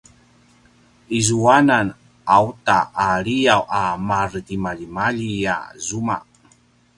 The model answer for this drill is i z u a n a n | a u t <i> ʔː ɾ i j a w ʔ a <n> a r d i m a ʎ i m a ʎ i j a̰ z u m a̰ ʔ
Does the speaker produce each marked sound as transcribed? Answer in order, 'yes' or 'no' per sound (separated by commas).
no, no